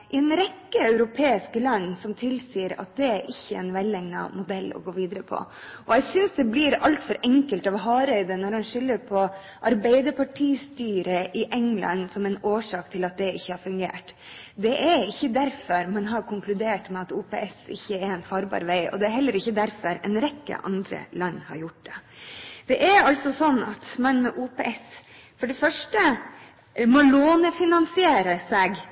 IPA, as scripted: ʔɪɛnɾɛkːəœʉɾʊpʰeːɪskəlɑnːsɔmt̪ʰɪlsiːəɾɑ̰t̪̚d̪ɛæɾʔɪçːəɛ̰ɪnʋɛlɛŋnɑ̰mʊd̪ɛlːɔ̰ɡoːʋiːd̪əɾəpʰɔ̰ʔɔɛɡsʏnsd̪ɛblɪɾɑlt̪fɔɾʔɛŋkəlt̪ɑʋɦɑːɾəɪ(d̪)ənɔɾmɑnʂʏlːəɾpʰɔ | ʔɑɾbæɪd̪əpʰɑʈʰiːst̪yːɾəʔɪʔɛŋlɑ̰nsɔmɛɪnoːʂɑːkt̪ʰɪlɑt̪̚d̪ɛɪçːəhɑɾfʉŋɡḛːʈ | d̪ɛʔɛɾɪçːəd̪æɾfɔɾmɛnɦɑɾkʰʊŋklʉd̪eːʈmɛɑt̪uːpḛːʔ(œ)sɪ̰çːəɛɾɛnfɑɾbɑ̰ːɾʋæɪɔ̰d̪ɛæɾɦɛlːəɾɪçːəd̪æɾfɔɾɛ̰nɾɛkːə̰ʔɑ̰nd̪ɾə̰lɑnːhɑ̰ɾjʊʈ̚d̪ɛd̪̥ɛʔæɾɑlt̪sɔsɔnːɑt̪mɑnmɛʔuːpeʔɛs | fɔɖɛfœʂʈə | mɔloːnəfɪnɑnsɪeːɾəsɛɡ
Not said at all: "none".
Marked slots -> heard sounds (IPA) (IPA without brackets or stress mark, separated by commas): d̪, ɛ